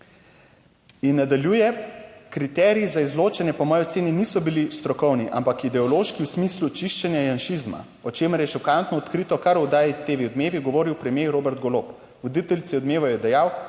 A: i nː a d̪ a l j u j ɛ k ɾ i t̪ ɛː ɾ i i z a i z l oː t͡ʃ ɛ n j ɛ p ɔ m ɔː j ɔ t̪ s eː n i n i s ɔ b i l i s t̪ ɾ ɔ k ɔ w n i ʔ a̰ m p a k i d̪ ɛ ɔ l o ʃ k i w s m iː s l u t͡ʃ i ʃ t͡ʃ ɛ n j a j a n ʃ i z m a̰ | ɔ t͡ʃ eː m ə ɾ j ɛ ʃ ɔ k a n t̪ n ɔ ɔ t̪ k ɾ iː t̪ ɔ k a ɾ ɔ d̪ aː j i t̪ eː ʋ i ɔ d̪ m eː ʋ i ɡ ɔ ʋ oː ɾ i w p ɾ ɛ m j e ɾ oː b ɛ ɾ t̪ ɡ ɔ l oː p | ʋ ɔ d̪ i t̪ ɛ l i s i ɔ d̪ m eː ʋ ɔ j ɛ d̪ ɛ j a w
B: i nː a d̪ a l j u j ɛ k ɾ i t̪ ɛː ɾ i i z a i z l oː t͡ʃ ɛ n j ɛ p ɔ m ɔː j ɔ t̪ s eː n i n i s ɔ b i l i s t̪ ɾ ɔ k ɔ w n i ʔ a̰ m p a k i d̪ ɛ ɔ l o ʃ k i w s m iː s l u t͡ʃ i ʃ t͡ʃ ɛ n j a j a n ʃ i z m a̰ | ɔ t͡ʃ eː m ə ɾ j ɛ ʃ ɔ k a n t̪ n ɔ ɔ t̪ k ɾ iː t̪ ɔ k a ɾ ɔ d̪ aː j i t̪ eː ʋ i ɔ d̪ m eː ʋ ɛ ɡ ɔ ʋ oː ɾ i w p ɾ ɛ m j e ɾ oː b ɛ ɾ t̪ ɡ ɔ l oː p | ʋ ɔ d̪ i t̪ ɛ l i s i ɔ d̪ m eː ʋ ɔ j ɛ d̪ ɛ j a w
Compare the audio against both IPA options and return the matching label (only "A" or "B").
A